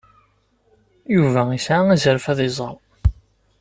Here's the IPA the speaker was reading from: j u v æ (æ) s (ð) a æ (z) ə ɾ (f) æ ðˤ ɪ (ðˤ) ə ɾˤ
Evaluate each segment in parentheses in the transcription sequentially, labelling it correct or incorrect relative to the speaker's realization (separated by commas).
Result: incorrect, incorrect, correct, correct, incorrect